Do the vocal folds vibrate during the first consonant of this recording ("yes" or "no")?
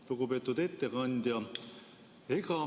yes